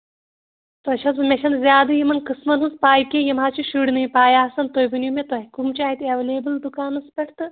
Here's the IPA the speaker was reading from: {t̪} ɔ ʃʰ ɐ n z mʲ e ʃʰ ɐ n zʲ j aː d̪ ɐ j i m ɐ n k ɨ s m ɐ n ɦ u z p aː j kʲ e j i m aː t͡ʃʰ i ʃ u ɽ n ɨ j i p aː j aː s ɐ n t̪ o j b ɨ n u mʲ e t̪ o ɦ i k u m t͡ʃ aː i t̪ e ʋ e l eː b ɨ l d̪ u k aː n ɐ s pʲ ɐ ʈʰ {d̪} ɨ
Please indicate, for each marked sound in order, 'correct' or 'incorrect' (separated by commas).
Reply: correct, incorrect